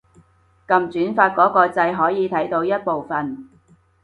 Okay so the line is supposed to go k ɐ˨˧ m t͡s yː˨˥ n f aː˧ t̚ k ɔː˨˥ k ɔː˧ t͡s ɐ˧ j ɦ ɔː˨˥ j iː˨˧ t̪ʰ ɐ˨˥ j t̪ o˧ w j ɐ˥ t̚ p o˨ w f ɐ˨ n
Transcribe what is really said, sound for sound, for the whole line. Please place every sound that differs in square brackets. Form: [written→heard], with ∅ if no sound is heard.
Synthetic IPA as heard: k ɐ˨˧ m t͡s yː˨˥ n f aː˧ t̚ k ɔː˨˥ k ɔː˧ t͡s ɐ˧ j ɦ ɔː˨˥ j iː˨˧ t̪ʰ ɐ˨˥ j t̪ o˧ w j ɐ˥ t̚ p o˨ w f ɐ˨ n